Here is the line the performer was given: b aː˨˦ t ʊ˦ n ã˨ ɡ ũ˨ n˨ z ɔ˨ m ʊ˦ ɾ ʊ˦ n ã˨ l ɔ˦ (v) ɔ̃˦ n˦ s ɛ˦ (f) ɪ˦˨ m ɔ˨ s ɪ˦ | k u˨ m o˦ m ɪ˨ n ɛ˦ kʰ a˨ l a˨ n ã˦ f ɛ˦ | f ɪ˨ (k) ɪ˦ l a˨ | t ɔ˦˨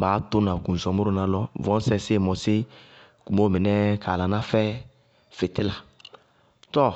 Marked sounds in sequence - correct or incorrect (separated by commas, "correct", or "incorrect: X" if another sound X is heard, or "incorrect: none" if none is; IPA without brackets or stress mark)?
correct, incorrect: s, incorrect: t